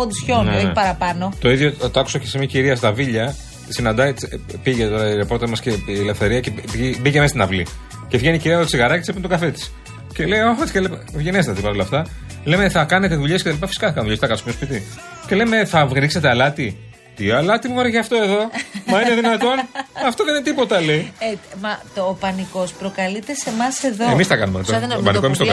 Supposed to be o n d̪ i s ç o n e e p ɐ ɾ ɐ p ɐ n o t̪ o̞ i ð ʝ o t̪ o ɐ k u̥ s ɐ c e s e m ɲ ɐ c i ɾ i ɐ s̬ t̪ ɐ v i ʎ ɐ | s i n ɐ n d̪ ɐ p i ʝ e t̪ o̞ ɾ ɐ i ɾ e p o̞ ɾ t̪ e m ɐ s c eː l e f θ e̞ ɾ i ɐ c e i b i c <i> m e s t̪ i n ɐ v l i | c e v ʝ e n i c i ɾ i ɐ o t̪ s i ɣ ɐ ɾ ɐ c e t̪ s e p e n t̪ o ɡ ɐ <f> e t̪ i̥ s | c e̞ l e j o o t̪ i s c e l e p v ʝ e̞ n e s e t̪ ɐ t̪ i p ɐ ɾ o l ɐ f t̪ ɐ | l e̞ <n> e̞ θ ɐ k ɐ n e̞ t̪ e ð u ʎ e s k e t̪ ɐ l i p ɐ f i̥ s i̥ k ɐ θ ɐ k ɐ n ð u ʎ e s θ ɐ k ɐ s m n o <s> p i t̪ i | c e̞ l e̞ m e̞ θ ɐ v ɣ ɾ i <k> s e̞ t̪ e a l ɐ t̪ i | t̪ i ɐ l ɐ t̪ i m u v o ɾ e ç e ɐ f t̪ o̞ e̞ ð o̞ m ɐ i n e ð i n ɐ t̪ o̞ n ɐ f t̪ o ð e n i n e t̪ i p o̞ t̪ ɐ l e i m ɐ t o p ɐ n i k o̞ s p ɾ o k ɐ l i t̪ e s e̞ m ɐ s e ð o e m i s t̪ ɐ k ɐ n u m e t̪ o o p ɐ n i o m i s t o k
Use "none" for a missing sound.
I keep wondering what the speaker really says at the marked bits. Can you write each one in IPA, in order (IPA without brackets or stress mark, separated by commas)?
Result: e, f, m, s, k